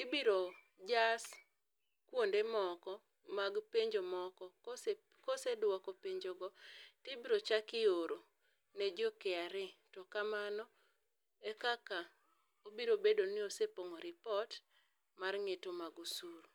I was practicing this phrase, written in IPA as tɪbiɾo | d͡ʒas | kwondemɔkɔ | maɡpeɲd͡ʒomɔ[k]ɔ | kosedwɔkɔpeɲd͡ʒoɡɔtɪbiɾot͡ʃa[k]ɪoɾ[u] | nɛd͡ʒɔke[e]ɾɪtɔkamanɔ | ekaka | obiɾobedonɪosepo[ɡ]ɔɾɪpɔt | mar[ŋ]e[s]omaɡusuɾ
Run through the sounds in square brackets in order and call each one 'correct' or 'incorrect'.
correct, correct, incorrect: o, incorrect: a, incorrect: ŋ, correct, incorrect: t

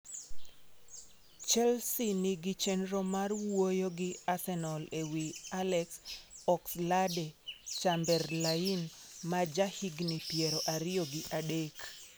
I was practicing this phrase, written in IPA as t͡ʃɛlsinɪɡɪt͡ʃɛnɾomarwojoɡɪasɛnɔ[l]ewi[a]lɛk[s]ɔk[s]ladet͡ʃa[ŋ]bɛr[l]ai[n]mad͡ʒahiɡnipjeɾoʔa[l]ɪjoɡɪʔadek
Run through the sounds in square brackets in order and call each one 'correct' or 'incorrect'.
correct, correct, correct, correct, incorrect: m, correct, correct, incorrect: ɾ

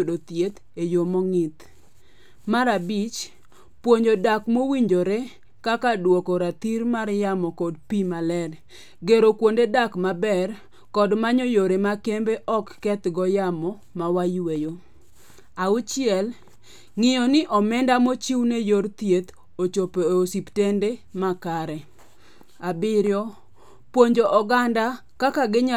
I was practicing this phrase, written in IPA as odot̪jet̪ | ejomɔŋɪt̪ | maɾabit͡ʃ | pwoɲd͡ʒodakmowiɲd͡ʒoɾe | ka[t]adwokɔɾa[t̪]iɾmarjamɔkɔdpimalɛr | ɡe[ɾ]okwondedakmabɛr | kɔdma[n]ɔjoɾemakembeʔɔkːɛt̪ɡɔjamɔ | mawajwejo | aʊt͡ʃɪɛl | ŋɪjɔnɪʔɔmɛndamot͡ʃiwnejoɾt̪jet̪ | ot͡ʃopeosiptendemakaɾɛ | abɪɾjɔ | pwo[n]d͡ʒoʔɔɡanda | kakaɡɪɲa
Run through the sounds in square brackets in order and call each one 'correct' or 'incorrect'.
incorrect: k, correct, correct, incorrect: ɲ, incorrect: ɲ

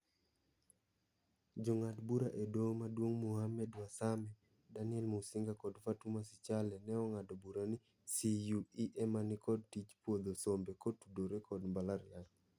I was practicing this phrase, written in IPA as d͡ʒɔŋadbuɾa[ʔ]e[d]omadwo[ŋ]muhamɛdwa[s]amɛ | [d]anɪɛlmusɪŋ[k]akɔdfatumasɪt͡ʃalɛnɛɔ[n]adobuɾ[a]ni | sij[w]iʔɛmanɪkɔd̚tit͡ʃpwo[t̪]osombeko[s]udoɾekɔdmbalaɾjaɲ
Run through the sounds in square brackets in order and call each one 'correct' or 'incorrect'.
correct, correct, correct, correct, correct, incorrect: ɡ, incorrect: ŋ, correct, incorrect: u, incorrect: d̪, incorrect: t

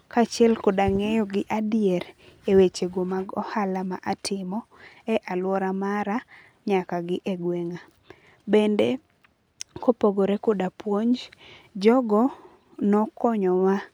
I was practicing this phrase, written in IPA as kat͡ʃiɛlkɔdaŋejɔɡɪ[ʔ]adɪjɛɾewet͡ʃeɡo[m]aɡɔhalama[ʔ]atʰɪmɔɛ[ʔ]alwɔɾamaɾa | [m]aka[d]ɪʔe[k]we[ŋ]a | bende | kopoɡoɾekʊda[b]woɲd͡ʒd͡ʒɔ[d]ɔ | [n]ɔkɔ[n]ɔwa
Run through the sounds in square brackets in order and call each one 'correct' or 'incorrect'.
correct, correct, correct, correct, incorrect: ɲ, incorrect: ɡ, incorrect: ɡ, correct, incorrect: p, incorrect: ɡ, correct, incorrect: ɲ

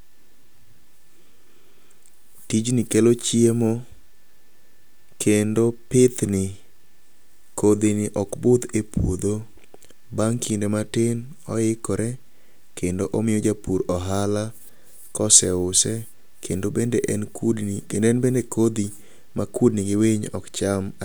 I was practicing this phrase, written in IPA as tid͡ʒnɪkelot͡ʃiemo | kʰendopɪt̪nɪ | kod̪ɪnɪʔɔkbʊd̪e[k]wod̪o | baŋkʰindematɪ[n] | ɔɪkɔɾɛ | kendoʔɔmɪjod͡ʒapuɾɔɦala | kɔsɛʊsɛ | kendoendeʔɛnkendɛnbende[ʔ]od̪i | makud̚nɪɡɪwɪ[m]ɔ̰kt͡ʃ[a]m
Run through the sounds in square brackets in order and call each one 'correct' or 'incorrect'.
incorrect: p, correct, incorrect: k, incorrect: ɲ, correct

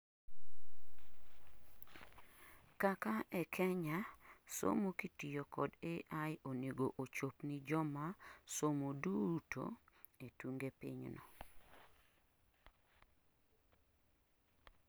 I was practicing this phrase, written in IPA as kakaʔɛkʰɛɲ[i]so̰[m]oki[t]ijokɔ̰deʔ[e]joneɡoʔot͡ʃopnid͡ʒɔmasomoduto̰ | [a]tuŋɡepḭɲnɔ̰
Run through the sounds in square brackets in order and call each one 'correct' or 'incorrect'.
incorrect: a, correct, correct, incorrect: a, incorrect: e

